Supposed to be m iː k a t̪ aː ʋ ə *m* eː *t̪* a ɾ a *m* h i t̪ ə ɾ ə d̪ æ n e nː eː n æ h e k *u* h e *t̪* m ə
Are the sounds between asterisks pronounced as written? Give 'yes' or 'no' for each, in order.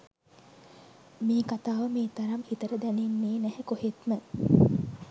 yes, yes, yes, no, yes

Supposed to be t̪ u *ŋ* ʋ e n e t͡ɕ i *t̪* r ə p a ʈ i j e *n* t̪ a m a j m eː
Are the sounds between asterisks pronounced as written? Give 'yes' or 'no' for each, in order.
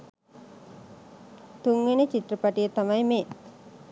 yes, yes, no

